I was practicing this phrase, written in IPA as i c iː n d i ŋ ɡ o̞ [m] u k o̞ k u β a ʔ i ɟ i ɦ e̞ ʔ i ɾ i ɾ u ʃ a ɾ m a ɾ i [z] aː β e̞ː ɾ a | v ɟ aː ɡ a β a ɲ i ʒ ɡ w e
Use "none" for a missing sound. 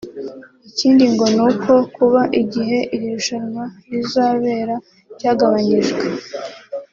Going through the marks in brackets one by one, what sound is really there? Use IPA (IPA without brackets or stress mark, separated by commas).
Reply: n, z